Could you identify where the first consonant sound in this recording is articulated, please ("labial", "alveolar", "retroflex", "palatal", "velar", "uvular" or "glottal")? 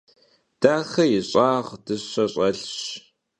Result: alveolar